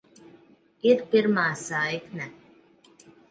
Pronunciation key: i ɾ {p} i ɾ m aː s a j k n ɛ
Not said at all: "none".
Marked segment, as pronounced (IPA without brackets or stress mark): p